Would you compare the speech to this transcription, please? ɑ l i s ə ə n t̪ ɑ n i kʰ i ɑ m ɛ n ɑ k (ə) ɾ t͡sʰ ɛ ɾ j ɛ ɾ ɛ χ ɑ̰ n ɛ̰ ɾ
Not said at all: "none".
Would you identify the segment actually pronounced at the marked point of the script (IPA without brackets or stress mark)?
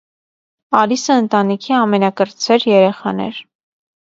ə